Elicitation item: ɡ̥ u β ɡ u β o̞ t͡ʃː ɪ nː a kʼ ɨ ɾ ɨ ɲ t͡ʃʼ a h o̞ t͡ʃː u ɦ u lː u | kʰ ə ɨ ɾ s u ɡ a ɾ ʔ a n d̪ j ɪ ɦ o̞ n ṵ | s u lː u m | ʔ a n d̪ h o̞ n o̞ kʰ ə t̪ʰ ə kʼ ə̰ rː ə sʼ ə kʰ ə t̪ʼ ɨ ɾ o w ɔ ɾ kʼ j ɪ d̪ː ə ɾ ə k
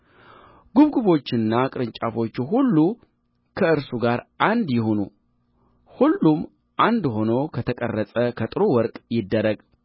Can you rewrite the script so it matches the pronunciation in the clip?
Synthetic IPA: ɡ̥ u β ɡ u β o̞ t͡ʃː ɪ nː a kʼ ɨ ɾ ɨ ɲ t͡ʃʼ a f o̞ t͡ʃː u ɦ u lː u | kʰ ə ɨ ɾ s u ɡ a ɾ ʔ a n d̪ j ɪ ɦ o̞ n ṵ | h u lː u m | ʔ a n d̪ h o̞ n o̞ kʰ ə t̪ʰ ə kʼ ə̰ rː ə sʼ ə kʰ ə t̪ʼ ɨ ɾ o w ɔ ɾ kʼ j ɪ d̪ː ə ɾ ə ɡ